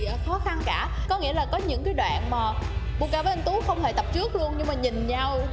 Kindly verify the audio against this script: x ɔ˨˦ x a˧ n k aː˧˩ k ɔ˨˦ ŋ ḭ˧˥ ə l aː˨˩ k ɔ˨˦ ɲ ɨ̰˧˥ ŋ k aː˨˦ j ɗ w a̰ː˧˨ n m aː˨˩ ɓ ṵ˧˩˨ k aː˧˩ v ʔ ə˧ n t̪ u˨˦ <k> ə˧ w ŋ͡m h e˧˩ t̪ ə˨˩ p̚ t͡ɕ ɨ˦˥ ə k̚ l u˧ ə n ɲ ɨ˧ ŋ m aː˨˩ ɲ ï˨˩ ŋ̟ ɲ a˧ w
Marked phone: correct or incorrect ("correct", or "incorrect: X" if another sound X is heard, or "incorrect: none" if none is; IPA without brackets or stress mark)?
incorrect: x